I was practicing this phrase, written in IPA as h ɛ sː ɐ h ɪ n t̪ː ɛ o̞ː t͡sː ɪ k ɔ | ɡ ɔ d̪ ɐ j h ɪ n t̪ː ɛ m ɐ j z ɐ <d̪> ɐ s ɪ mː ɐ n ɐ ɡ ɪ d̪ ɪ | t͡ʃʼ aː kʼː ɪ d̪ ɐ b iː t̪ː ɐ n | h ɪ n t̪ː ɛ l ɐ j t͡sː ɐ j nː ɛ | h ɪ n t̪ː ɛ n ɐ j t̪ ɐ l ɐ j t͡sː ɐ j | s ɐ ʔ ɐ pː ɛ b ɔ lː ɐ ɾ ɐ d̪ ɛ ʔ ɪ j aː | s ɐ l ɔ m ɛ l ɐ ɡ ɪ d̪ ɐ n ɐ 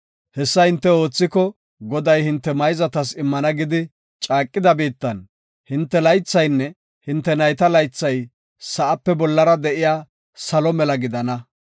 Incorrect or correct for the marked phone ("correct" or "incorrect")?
incorrect